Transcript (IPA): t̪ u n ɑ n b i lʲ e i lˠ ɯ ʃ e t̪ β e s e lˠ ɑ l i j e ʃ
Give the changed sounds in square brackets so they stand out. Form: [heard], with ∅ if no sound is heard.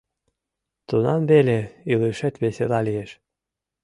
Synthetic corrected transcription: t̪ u n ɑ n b [e] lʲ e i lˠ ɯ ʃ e t̪ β e s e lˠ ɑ l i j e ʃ